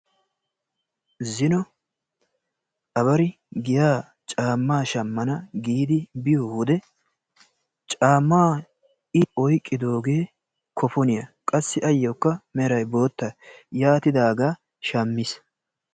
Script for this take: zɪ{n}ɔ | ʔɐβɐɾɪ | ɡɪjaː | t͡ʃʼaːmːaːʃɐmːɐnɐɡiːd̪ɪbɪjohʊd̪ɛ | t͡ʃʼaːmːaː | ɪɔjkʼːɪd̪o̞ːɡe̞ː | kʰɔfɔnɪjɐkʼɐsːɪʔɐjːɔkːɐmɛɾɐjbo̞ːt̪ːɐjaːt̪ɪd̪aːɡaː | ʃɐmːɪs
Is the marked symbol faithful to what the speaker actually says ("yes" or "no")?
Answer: yes